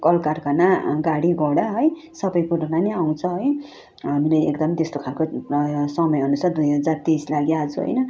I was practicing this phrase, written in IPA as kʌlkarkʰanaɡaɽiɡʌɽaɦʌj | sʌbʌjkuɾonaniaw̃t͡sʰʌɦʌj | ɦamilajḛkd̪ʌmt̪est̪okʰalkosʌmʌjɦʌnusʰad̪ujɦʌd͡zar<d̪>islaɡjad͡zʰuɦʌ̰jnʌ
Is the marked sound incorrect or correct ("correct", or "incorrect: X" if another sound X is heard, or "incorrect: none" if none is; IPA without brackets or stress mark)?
incorrect: t̪